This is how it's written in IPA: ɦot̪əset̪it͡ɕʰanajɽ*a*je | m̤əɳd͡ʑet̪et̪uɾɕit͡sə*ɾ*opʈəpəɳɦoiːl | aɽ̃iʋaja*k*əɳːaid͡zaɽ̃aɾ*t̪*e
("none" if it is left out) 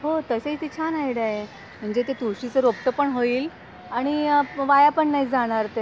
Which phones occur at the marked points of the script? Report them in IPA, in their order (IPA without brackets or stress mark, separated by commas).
a, ɾ, p, t̪